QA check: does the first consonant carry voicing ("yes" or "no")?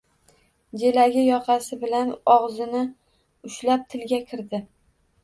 yes